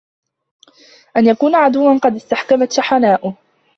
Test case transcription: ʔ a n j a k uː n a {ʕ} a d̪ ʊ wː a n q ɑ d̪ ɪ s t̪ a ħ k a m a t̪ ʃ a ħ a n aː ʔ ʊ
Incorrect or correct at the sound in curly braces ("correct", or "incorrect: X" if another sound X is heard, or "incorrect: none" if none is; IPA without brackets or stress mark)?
correct